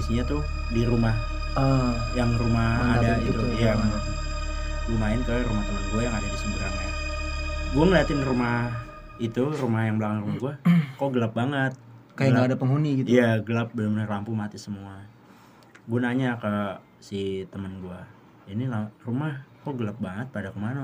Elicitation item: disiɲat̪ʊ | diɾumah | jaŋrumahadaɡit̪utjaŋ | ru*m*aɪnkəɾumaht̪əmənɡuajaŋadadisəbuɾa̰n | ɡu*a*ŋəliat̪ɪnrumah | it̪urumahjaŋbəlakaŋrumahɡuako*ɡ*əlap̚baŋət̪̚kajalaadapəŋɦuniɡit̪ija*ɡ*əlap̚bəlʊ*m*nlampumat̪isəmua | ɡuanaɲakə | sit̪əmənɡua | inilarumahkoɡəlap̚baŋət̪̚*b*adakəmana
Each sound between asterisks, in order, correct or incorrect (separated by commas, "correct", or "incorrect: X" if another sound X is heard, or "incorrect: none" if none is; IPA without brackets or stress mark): correct, correct, correct, correct, correct, incorrect: p